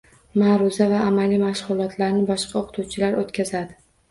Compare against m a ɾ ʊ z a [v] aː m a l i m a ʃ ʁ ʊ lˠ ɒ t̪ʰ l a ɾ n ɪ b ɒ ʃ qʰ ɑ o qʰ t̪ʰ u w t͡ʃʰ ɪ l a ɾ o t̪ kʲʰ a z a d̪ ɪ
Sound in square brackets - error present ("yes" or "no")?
no